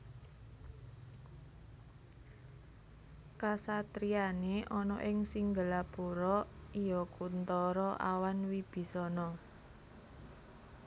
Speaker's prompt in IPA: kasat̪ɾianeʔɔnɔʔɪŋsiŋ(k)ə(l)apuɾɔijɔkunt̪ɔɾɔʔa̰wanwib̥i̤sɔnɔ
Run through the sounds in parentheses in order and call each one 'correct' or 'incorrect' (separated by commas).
incorrect, correct